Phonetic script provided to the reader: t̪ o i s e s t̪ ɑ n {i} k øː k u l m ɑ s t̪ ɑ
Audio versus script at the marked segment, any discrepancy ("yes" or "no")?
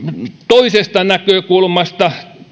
yes